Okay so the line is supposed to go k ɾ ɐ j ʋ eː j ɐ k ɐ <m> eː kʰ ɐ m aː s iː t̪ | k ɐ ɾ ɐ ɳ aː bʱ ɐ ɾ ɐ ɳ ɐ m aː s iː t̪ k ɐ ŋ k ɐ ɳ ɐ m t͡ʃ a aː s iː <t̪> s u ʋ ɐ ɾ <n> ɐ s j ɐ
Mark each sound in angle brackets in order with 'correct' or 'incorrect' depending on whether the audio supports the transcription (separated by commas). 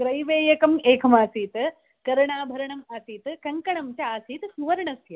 correct, correct, incorrect